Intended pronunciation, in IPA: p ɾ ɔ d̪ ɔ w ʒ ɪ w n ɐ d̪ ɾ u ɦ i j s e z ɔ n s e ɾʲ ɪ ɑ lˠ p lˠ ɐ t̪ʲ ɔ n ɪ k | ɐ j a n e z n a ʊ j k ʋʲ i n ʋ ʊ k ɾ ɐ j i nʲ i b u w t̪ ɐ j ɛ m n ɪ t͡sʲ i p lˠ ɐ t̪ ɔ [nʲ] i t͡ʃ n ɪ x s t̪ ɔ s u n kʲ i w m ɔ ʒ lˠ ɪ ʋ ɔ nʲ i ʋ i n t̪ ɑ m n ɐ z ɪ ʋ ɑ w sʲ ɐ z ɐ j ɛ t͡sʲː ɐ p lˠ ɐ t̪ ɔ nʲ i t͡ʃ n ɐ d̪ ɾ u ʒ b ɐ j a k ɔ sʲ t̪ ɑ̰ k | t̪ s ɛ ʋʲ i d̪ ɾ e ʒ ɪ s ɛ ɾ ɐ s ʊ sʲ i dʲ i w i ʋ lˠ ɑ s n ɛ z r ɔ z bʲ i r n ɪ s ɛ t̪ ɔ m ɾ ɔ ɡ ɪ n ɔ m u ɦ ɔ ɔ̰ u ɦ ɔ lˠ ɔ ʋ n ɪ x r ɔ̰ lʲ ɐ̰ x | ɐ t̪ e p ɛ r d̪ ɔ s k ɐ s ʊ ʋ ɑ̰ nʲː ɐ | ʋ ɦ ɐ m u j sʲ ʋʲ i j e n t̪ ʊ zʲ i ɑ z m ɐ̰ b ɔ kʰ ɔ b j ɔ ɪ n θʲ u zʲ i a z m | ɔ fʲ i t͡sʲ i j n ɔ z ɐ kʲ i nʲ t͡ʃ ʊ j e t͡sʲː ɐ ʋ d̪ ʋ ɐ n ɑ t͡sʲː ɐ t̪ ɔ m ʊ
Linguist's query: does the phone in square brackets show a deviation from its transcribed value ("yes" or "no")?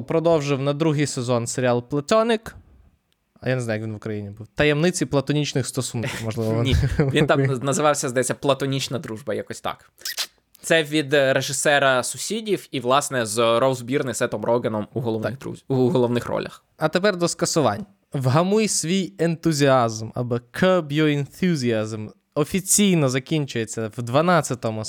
no